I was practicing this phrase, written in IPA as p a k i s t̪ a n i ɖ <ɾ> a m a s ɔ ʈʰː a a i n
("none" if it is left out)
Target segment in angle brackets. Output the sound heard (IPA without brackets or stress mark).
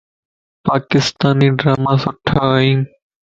ɾ